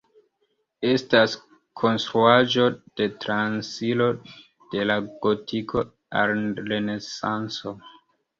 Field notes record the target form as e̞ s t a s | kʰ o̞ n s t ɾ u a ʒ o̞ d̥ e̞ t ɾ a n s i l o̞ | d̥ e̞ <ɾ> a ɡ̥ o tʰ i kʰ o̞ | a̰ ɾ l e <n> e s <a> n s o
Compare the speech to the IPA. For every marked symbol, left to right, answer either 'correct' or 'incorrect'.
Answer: incorrect, correct, correct

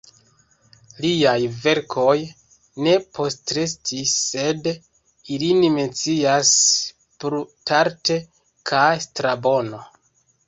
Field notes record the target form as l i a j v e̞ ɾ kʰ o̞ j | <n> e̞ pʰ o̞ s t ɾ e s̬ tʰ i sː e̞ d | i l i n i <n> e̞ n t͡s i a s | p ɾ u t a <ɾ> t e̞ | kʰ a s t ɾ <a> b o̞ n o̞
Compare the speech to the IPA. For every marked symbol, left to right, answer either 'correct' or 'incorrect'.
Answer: correct, incorrect, correct, correct

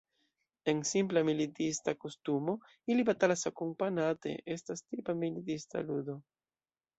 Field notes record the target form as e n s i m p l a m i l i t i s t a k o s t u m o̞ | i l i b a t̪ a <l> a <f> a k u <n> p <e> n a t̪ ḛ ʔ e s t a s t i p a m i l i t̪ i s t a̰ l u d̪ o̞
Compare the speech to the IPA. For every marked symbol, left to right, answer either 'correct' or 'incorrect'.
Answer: correct, incorrect, incorrect, incorrect

